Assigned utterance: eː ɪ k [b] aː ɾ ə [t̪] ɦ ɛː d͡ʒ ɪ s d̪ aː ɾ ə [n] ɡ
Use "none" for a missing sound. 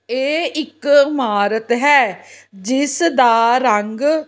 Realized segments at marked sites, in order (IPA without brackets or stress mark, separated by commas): m, t̪, ŋ